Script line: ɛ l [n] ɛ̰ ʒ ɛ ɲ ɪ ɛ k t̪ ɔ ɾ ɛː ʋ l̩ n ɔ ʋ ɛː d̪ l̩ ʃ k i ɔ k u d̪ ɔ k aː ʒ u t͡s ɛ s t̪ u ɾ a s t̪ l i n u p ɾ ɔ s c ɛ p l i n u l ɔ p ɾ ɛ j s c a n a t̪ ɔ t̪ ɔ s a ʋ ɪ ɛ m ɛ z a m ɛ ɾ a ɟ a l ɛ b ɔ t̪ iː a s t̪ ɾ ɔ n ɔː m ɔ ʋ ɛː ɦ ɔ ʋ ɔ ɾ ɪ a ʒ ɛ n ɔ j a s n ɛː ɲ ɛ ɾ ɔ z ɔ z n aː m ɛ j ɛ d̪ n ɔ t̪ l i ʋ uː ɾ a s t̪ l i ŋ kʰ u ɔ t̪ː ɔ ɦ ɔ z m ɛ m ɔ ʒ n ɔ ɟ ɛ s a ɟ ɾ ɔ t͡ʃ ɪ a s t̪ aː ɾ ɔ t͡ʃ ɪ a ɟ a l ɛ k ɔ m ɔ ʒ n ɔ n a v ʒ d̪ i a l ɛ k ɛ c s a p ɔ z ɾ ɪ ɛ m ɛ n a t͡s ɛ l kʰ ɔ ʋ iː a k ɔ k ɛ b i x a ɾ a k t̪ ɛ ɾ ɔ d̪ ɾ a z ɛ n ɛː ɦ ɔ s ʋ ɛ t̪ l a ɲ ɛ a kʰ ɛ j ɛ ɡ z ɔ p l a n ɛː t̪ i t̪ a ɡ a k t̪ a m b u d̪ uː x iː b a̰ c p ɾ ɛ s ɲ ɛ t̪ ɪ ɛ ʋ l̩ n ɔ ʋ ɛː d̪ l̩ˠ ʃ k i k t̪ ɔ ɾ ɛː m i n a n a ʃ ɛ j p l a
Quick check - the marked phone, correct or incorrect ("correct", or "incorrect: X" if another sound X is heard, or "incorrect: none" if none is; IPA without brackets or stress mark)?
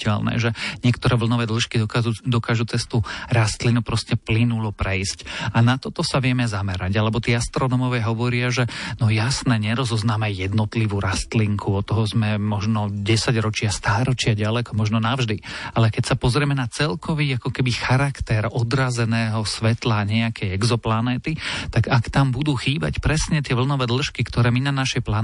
correct